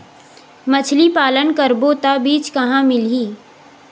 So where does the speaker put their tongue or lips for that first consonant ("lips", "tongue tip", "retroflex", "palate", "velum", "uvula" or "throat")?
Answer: lips